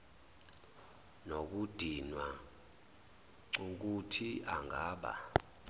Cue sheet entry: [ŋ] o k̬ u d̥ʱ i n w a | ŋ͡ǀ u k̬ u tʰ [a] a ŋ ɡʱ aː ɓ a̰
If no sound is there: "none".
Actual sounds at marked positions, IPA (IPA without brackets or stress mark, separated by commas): n, i